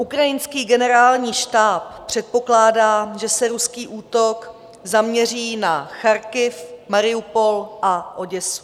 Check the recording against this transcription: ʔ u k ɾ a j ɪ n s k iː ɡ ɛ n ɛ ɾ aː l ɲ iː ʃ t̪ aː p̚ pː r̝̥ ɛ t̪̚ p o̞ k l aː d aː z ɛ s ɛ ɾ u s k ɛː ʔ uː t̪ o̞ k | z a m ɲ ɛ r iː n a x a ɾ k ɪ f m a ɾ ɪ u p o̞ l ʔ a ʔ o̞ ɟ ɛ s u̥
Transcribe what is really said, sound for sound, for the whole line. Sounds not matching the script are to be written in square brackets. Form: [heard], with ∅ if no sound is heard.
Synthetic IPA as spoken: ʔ u k ɾ a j ɪ n s k iː ɡ ɛ n ɛ ɾ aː l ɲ iː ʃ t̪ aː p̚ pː r̝̥ ɛ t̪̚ p o̞ k l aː d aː [ʒ] ɛ s ɛ ɾ u s k [iː] ʔ uː t̪ o̞ k | z a m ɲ ɛ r iː n a x a ɾ k ɪ f m a ɾ ɪ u p o̞ l ʔ a ʔ o̞ ɟ ɛ s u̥